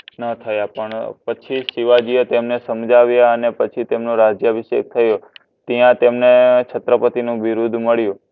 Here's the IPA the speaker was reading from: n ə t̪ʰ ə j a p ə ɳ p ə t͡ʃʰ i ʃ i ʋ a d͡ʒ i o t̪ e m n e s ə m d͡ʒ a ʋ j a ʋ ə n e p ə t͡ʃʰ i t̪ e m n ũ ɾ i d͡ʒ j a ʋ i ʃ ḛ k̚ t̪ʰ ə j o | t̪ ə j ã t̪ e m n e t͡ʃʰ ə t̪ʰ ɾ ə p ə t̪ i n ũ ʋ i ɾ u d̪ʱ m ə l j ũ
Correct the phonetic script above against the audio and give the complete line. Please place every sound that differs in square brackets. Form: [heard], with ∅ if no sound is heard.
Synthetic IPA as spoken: n ə t̪ʰ ə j a p ə ɳ p ə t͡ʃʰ i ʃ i ʋ a d͡ʒ i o t̪ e m n e s ə m d͡ʒ a ʋ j a [∅] ə n e p ə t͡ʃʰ i t̪ e m n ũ ɾ [a] d͡ʒ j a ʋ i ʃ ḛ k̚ t̪ʰ ə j o | t̪ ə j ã t̪ e m n e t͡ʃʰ ə [t̪] ɾ ə p ə t̪ i n ũ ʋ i ɾ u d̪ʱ m ə [ɭ] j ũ